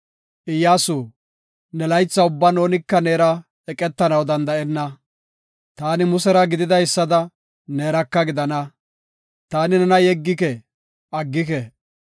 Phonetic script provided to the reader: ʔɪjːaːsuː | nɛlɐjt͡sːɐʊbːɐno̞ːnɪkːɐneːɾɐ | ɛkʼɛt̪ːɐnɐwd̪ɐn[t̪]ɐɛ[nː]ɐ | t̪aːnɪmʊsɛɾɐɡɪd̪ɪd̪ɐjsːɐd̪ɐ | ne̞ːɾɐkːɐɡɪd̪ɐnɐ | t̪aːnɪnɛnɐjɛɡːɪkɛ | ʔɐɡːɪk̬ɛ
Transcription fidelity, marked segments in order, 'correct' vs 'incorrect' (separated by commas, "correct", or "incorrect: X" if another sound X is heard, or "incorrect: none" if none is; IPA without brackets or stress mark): incorrect: d̪, correct